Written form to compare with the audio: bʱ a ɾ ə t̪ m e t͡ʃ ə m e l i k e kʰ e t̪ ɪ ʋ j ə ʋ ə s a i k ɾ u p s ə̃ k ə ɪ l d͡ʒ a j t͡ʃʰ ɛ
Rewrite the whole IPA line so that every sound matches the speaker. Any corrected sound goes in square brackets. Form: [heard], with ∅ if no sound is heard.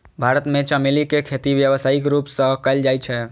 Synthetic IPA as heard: bʱ a ɾ ə t̪ m e t͡ʃ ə m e l i k e kʰ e t̪ [i] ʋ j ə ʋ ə s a i k ɾ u p s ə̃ k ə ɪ l d͡ʒ a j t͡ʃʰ ɛ